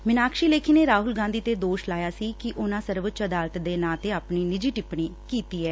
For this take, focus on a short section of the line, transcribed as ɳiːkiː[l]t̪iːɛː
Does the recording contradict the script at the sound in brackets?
yes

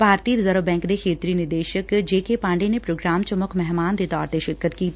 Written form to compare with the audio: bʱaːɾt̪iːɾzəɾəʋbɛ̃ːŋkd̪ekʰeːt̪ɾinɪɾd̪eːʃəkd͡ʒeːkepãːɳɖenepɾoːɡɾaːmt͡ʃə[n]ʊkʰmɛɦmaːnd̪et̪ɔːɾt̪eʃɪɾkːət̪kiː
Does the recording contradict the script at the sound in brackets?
yes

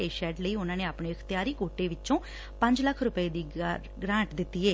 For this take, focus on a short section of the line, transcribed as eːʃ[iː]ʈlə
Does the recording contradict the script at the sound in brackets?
yes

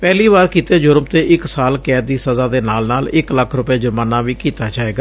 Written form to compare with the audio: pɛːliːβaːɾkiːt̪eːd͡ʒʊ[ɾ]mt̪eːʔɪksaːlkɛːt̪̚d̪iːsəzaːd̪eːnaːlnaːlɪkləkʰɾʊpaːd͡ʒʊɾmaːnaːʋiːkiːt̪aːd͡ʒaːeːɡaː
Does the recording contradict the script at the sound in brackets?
no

